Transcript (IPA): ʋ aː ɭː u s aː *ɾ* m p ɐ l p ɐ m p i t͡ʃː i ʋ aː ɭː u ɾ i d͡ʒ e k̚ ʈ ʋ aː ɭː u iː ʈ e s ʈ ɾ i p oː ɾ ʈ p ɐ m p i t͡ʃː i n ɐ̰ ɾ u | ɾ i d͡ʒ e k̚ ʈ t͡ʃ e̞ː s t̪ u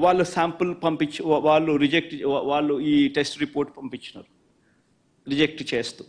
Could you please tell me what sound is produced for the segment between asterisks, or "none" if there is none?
none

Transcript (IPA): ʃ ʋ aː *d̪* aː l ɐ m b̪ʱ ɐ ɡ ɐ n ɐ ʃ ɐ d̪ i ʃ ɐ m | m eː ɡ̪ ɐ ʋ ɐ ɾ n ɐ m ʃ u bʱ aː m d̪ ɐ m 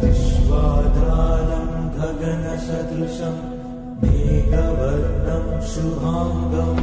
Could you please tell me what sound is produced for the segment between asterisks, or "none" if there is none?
d̪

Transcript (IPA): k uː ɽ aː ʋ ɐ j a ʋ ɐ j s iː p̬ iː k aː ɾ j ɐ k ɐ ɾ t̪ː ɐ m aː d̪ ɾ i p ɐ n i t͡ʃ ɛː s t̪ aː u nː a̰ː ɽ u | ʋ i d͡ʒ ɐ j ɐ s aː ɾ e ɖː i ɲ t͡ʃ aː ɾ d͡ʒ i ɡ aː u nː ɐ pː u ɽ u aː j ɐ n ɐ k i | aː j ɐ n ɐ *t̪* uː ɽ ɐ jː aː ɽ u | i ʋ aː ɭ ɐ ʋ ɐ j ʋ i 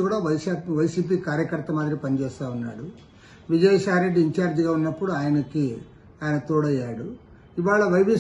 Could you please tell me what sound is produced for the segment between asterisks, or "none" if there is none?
t̪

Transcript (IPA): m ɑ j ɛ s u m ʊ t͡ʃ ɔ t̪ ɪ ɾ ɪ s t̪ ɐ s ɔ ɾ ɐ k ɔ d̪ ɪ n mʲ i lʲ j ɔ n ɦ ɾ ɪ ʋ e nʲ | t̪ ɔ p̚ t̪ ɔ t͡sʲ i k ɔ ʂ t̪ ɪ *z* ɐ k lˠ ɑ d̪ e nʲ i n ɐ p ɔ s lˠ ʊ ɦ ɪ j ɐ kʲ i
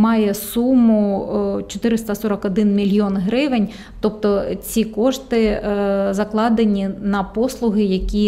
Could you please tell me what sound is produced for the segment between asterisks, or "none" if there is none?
z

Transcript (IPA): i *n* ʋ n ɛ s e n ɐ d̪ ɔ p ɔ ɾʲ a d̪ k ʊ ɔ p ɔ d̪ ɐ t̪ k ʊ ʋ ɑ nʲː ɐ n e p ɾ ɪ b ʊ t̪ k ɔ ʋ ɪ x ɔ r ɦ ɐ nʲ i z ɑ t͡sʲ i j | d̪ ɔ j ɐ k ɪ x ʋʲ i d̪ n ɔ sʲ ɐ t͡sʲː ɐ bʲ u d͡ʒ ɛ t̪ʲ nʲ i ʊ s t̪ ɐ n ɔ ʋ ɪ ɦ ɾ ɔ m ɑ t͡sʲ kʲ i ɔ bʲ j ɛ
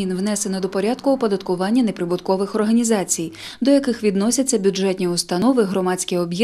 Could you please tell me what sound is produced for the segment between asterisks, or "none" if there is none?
n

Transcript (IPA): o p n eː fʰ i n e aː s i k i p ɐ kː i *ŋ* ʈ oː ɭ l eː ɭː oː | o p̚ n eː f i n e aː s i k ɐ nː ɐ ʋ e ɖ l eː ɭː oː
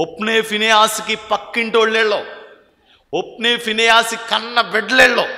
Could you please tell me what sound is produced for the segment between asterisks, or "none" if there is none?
ɳ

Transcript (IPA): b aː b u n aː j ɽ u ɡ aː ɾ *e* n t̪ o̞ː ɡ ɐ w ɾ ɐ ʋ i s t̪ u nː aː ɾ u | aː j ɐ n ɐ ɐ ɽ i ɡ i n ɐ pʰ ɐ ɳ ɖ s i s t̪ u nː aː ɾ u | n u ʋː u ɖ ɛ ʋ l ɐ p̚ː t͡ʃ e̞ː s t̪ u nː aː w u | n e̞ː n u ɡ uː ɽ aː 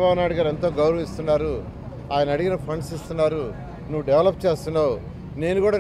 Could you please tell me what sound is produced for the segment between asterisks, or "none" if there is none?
e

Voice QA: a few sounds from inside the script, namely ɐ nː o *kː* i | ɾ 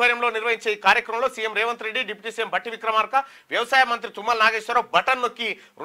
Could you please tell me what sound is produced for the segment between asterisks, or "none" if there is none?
kː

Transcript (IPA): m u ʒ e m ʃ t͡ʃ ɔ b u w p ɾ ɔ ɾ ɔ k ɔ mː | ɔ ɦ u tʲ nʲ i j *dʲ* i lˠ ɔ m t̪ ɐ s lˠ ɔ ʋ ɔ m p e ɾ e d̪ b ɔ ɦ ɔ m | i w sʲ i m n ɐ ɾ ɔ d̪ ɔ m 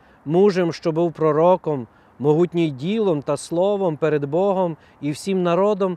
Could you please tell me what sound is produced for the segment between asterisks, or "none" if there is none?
dʲ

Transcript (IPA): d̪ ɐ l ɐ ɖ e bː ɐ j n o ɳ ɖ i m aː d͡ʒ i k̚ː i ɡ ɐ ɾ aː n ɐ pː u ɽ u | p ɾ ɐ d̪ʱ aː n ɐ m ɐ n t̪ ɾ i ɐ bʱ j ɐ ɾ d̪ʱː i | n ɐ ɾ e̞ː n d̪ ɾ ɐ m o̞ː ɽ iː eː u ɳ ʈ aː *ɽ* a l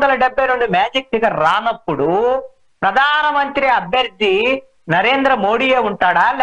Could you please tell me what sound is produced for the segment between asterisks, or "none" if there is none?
ɽ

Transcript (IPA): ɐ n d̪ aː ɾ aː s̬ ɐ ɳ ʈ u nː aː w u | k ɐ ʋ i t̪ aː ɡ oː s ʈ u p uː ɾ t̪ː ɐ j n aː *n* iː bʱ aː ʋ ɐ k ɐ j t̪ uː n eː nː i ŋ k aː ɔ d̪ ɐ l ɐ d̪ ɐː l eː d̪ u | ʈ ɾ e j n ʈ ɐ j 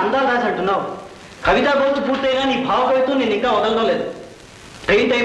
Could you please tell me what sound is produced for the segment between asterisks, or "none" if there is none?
n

